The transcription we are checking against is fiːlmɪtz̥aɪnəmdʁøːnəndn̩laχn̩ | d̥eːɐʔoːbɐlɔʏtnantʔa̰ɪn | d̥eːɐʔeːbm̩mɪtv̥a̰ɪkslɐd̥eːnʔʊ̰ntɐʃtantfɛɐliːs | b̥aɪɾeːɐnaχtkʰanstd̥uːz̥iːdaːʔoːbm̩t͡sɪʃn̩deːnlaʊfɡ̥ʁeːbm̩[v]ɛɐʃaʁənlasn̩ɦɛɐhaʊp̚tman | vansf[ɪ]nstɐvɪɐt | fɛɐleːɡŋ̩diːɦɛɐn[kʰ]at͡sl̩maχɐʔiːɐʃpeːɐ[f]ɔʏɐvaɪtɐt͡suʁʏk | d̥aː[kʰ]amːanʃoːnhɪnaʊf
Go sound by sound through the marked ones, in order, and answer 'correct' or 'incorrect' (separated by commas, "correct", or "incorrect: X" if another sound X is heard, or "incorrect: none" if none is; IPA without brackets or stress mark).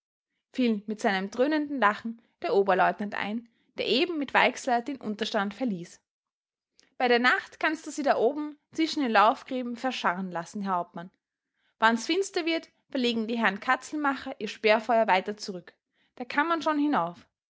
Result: incorrect: f, correct, correct, correct, correct